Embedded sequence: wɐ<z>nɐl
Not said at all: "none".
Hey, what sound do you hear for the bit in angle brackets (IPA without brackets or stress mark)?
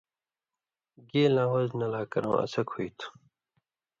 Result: z